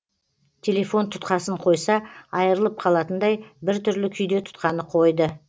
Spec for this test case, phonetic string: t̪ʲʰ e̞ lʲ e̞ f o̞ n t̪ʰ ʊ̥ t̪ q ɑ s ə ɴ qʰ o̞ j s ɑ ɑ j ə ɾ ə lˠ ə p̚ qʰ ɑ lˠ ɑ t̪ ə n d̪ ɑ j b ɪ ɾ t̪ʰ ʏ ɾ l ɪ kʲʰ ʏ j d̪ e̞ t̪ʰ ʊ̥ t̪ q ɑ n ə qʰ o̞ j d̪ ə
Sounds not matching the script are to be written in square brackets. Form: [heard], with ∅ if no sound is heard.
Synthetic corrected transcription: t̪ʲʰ e̞ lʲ e̞ f o̞ n t̪ʰ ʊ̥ t̪ q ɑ s ə ɴ qʰ o̞ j s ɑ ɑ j ə ɾ ə lˠ ə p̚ qʰ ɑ lˠ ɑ t̪ ə n d̪ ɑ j b ɪ ɾ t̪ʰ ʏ ɾ l ɪ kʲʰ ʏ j d̪ e̞ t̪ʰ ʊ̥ t̪ q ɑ n ə qʰ o̞ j d̪ ə